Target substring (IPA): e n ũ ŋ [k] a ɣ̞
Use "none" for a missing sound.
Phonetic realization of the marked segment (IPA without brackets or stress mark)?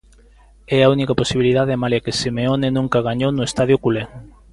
k